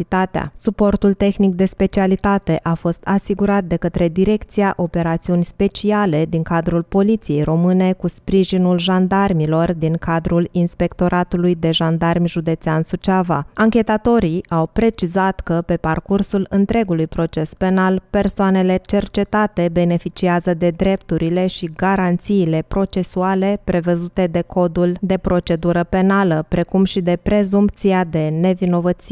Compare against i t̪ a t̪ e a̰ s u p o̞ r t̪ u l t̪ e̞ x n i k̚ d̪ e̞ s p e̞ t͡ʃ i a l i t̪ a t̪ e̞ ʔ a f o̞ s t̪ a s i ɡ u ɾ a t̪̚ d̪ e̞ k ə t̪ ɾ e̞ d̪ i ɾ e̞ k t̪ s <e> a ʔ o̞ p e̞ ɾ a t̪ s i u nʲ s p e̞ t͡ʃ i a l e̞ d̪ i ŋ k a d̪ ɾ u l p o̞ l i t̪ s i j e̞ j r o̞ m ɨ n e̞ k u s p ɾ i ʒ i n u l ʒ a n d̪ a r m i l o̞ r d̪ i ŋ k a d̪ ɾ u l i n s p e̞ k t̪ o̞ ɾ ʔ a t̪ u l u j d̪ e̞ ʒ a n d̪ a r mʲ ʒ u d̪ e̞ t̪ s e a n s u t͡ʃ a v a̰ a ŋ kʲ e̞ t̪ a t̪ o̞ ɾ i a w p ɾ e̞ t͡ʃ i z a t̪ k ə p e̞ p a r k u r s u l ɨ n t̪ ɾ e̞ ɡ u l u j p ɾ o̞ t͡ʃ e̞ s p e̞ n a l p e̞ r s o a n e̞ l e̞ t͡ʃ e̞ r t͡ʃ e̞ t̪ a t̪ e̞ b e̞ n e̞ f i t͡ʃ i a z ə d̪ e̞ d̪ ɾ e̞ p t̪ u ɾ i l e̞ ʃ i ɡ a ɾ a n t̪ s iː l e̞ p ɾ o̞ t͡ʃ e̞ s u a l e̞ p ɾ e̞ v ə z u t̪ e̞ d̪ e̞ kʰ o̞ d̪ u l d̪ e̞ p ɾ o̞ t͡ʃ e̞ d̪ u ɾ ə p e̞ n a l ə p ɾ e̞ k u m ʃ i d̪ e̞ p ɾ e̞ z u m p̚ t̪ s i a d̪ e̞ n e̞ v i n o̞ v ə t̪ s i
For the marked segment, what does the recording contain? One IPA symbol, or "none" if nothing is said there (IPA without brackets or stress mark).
i